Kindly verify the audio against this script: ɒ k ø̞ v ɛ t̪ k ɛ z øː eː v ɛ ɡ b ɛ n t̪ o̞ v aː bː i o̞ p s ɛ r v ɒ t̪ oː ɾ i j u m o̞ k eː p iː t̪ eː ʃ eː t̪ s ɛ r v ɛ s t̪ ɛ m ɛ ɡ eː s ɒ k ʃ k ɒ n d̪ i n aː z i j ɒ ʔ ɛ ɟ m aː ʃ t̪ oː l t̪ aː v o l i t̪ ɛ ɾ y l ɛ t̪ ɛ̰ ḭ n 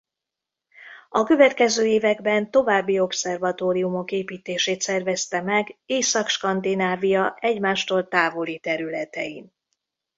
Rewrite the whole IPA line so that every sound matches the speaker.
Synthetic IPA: ɒ k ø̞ v ɛ t̪ k ɛ z øː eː v ɛ ɡ b ɛ n t̪ o̞ v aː bː i o̞ p s ɛ r v ɒ t̪ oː ɾ i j u m o̞ k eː p iː t̪ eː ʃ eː t̪ s ɛ r v ɛ s t̪ ɛ m ɛ ɡ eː s ɒ k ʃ k ɒ n d̪ i n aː v i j ɒ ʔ ɛ ɟ m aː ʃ t̪ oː l t̪ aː v o l i t̪ ɛ ɾ y l ɛ t̪ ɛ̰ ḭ n

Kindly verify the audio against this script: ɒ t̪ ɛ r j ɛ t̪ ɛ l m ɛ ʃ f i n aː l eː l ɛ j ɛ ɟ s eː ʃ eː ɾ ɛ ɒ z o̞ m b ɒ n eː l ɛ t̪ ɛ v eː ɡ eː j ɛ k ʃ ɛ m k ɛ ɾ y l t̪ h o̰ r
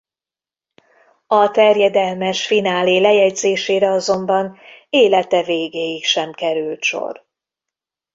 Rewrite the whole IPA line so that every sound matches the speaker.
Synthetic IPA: ɒ t̪ ɛ r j ɛ d̪ ɛ l m ɛ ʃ f i n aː l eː l ɛ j ɛ ɟ z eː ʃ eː ɾ ɛ ɒ z o̞ m b ɒ n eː l ɛ t̪ ɛ v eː ɡ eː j i k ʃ ɛ m k ɛ ɾ y l t̪ ʃ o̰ r

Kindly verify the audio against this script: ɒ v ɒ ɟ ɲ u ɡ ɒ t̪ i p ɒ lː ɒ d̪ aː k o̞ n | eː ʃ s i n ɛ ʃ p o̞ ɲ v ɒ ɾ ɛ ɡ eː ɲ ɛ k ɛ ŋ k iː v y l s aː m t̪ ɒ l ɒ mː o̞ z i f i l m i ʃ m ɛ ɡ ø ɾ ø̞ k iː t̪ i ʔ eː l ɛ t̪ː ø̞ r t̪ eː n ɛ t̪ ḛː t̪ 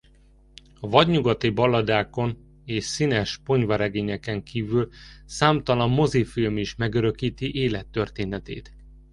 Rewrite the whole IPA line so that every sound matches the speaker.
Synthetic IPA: ɒ v ɒ ɟ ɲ u ɡ ɒ t̪ i b ɒ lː ɒ d̪ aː k o̞ n | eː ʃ s i n ɛ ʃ p o̞ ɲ v ɒ ɾ ɛ ɡ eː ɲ ɛ k ɛ ŋ k iː v y l s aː m t̪ ɒ l ɒ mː o̞ z i f i l m i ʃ m ɛ ɡ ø ɾ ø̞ k iː t̪ i ʔ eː l ɛ t̪ː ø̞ r t̪ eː n ɛ t̪ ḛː t̪

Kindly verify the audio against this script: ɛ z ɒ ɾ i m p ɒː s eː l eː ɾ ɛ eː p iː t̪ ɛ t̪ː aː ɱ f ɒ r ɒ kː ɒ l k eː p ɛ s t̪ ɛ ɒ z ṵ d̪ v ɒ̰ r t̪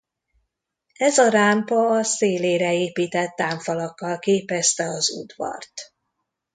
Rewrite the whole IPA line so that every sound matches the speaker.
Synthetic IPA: ɛ z ɒ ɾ a m p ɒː s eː l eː ɾ ɛ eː p iː t̪ ɛ t̪ː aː ɱ f ɒ l ɒ kː ɒ l k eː p ɛ s t̪ ɛ ɒ z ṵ d̪ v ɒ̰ r t̪

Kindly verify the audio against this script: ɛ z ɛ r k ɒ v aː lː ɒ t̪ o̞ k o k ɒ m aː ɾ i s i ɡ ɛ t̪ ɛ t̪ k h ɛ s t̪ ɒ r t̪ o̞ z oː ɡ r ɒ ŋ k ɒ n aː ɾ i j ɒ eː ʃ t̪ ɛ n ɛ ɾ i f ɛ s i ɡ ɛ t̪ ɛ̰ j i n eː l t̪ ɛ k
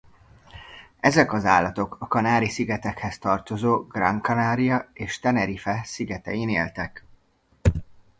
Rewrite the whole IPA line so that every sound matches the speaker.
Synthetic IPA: ɛ z ɛ k ɒ z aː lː ɒ t̪ o̞ k ɒ k ɒ n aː ɾ i s i ɡ ɛ t̪ ɛ k h ɛ s t̪ ɒ r t̪ o̞ z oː ɡ r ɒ ŋ k ɒ n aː ɾ i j ɒ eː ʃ t̪ ɛ n ɛ ɾ i f ɛ s i ɡ ɛ t̪ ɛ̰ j i n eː l t̪ ɛ k

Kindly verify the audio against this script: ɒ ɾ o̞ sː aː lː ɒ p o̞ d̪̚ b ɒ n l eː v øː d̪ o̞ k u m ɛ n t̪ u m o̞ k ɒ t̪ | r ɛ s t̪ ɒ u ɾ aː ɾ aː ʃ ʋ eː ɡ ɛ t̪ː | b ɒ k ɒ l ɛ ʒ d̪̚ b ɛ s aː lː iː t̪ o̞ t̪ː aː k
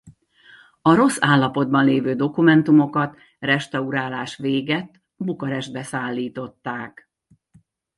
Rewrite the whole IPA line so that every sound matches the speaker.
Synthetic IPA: ɒ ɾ o̞ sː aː lː ɒ p o̞ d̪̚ b ɒ n l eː v øː d̪ o̞ k u m ɛ n t̪ u m o̞ k ɒ t̪ | r ɛ ʃ t̪ ɒ u ɾ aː l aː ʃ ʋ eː ɡ ɛ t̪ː | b u k ɒ ɾ ɛ ʒ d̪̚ b ɛ s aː lː iː t̪ o̞ t̪ː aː k

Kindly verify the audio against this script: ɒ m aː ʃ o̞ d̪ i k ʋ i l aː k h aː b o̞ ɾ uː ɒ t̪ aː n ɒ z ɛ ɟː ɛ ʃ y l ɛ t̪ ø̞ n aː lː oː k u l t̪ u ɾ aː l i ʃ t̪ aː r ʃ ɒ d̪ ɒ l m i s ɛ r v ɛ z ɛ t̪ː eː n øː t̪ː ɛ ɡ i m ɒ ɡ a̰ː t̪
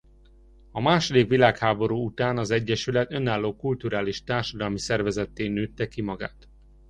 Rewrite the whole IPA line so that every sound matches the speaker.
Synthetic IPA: ɒ m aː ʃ o̞ d̪ i k ʋ i l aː k h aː b o̞ ɾ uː u t̪ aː n ɒ z ɛ ɟː ɛ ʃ y l ɛ t̪ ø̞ n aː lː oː k u l t̪ u ɾ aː l i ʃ t̪ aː r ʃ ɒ d̪ ɒ l m i s ɛ r v ɛ z ɛ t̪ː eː n øː t̪ː ɛ k i m ɒ ɡ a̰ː t̪

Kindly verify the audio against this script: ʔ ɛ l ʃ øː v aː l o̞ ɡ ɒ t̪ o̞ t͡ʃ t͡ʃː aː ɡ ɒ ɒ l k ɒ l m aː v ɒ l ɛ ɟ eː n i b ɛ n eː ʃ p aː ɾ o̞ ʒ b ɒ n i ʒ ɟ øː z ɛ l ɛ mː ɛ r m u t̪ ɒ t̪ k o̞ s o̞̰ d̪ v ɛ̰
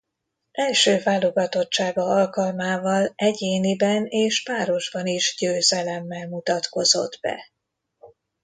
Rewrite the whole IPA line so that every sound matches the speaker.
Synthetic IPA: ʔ ɛ l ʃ øː v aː l o̞ ɡ ɒ t̪ o̞ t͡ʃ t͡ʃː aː ɡ ɒ ɒ l k ɒ l m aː v ɒ l ɛ ɟ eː n i b ɛ n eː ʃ p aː ɾ o̞ ʒ b ɒ n i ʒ ɟ øː z ɛ l ɛ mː ɛ l m u t̪ ɒ t̪ k o̞ z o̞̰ d̪ b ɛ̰

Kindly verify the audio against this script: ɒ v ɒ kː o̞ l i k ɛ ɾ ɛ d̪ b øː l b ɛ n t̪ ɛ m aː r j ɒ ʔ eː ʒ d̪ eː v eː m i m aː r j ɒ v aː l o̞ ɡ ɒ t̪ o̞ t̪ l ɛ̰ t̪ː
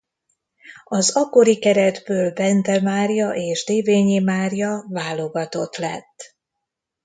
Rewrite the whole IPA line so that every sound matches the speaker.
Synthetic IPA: ɒ z ɒ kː o̞ ɾ i k ɛ ɾ ɛ d̪ b øː l b ɛ n t̪ ɛ m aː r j ɒ ʔ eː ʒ d̪ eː v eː ɲ i m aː r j ɒ v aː l o̞ ɡ ɒ t̪ o̞ t̪ l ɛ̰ t̪ː

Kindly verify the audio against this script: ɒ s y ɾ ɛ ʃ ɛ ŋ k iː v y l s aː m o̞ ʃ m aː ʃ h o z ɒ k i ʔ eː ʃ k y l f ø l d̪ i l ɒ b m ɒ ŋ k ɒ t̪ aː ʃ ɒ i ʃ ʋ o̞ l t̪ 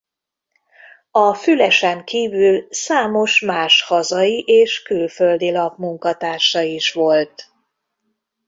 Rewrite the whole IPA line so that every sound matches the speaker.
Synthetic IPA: ɒ f y l ɛ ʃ ɛ ŋ k iː v y l s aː m o̞ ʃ m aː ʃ h ɒ z ɒ i ʔ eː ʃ k y l f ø l d̪ i l ɒ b m u ŋ k ɒ t̪ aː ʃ ɒ i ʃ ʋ o̞ l t̪

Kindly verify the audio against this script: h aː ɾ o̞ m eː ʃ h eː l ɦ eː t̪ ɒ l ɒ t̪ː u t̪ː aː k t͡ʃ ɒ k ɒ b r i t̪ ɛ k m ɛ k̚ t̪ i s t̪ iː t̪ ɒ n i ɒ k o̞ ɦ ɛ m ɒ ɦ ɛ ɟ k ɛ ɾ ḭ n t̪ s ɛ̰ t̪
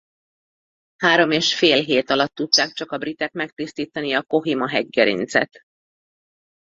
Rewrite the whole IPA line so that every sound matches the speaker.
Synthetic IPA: h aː ɾ o̞ m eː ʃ f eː l ɦ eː t̪ ɒ l ɒ t̪ː u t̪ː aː k t͡ʃ ɒ k ɒ b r i t̪ ɛ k m ɛ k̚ t̪ i s t̪ iː t̪ ɒ n i ɒ k o̞ ɦ i m ɒ ɦ ɛ ɟ ɡ ɛ ɾ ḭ n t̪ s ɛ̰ t̪

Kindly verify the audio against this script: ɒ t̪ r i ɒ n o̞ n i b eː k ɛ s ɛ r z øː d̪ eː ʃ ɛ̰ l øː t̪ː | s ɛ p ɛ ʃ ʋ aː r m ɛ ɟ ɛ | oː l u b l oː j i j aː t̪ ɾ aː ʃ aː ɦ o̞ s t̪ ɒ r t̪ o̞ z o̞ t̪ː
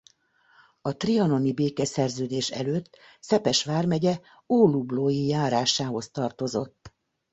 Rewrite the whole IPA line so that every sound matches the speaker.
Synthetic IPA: ɒ t̪ r i ɒ n o̞ n i b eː k ɛ s ɛ r z øː d̪ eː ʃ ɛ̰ l øː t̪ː | s ɛ p ɛ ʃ ʋ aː r m ɛ ɟ ɛ | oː l u b l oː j i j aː ɾ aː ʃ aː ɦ o̞ s t̪ ɒ r t̪ o̞ z o̞ t̪ː

